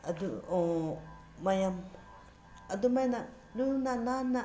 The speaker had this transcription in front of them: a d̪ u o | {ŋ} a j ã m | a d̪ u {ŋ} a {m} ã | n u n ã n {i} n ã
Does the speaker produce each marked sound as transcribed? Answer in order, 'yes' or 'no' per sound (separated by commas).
no, no, no, no